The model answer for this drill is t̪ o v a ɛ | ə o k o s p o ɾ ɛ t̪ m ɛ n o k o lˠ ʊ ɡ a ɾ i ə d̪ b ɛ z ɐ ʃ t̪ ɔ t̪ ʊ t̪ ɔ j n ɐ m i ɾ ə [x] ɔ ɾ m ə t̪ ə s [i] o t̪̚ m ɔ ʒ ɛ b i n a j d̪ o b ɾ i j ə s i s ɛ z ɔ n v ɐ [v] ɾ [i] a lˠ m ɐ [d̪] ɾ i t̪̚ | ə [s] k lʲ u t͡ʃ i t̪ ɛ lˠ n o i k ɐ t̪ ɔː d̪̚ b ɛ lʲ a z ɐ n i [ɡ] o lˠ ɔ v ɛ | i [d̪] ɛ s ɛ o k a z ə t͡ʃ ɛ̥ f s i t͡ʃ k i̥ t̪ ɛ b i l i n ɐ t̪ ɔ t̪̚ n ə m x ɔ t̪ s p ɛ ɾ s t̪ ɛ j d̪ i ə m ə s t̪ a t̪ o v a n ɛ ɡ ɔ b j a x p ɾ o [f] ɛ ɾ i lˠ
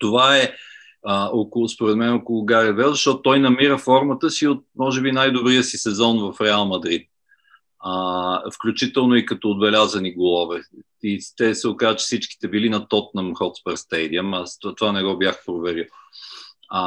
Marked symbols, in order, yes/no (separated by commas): no, yes, no, no, yes, no, yes, no, no